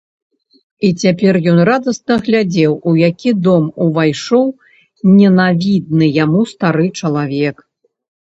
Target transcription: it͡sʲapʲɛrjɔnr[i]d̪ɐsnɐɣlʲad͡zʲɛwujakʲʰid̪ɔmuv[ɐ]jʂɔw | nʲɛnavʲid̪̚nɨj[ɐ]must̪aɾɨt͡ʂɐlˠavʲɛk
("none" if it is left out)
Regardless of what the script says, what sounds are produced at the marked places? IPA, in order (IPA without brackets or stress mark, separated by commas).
a, a, a